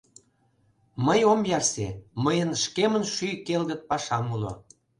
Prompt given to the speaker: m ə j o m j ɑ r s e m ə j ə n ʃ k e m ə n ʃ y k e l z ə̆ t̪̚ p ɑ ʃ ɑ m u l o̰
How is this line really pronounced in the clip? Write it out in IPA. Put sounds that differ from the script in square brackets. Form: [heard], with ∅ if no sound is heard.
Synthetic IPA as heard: m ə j o m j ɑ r s e m ə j ə n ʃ k e m ə n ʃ y k e l [ɣ] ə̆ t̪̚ p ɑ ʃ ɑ m u l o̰